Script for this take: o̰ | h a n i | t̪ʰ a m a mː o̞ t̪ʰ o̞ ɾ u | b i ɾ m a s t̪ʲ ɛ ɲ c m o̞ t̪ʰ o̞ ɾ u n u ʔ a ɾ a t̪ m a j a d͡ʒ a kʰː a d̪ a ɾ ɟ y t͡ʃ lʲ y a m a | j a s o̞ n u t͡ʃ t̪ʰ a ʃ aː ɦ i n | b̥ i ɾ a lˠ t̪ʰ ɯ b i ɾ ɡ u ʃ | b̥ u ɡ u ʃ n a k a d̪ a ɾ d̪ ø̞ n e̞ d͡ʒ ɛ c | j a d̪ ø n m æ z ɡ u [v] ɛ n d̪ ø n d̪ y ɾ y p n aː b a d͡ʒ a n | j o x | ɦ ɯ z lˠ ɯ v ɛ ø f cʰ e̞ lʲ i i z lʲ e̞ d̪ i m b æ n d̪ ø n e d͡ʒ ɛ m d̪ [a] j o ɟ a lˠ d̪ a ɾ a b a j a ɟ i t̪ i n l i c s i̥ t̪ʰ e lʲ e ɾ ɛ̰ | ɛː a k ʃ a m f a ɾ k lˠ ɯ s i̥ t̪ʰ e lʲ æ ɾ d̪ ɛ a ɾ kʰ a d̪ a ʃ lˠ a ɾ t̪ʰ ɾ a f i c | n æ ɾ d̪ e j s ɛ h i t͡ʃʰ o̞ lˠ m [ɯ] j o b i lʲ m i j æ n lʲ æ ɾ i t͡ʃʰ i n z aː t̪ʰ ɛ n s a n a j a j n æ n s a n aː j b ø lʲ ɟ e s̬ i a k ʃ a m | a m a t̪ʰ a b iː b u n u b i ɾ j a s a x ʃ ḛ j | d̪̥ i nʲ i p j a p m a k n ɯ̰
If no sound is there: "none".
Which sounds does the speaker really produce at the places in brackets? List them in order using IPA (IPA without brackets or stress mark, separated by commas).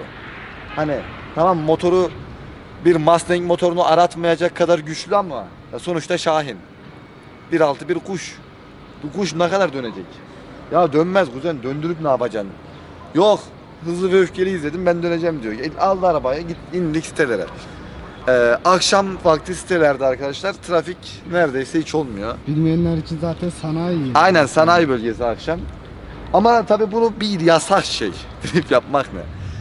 z, i, u